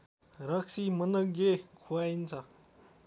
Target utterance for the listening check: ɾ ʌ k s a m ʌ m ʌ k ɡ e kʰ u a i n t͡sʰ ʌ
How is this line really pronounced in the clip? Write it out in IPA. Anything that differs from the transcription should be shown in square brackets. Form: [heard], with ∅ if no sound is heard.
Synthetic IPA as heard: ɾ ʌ k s [i] m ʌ [n] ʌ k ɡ e kʰ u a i n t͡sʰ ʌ